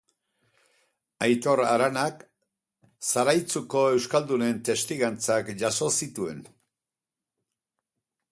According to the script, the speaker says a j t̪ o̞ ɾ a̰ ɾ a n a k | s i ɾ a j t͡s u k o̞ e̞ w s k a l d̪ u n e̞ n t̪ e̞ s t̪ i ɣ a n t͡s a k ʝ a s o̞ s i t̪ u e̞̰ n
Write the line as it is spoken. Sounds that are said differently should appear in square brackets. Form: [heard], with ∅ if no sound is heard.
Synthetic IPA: a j t̪ o̞ ɾ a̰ ɾ a n a k | s [a] ɾ a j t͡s u k o̞ e̞ w s k a l d̪ u n e̞ n t̪ e̞ s t̪ i ɣ a n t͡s a k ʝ a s o̞ s i t̪ u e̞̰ n